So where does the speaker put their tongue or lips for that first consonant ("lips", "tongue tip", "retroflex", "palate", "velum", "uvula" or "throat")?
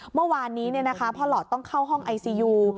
lips